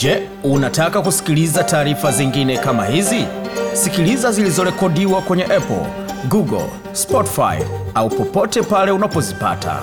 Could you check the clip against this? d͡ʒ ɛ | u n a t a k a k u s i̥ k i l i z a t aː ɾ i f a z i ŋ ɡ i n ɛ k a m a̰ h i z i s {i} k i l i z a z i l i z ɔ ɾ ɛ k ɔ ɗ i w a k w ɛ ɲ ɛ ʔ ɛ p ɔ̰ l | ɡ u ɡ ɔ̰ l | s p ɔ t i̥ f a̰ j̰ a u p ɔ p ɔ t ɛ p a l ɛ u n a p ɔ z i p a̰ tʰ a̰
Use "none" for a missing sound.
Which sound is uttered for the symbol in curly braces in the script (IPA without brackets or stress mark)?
i